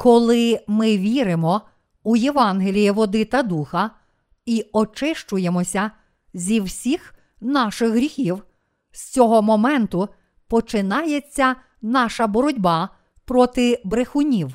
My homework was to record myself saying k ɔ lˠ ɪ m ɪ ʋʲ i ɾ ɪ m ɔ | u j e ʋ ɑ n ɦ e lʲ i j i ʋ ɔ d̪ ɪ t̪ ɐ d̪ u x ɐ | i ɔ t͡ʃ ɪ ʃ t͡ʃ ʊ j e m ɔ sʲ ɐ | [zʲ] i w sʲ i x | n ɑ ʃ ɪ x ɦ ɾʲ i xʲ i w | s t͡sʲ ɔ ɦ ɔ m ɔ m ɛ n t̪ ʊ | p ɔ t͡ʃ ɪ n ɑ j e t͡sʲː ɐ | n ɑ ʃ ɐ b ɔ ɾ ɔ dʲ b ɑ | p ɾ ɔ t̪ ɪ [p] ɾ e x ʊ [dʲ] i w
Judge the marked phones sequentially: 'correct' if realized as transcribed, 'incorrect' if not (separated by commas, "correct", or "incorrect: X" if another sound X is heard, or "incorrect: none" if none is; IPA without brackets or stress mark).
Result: correct, incorrect: b, incorrect: nʲ